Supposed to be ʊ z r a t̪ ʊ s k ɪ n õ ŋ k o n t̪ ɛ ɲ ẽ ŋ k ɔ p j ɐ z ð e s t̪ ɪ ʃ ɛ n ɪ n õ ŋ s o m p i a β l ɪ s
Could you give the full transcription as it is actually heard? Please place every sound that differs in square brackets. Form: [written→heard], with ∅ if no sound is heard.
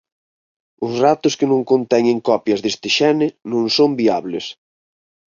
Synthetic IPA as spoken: ʊ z r a t̪ ʊ s k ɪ n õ ŋ k o n t̪ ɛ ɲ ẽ ŋ k ɔ p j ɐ z ð e s t̪ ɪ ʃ ɛ n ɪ n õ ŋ s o m [p→b] i a β l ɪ s